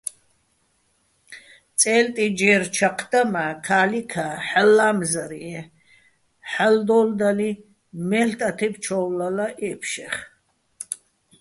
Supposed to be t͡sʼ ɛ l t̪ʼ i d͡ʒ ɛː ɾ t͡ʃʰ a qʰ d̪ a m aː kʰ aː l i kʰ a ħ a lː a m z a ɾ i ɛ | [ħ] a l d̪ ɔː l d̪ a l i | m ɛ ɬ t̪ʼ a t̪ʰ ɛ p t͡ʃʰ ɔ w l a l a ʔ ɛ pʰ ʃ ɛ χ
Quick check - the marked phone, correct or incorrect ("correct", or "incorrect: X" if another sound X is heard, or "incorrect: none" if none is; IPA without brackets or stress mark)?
correct